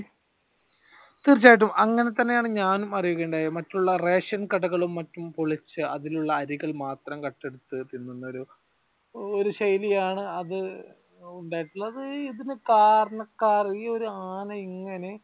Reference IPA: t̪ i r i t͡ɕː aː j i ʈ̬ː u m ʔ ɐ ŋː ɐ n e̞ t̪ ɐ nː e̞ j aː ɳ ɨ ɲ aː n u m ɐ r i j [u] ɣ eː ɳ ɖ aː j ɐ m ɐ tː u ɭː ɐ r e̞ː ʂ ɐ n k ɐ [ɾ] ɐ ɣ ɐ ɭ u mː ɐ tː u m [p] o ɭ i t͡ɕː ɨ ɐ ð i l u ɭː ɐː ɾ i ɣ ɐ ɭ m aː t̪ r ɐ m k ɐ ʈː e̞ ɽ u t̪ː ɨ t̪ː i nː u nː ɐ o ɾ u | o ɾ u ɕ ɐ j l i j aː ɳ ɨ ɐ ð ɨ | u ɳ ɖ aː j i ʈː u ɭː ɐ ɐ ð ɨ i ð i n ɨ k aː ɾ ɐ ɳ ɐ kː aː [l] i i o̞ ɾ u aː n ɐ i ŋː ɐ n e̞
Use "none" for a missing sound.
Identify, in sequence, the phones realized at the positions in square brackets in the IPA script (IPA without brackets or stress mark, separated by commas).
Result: u, ɽ, p, r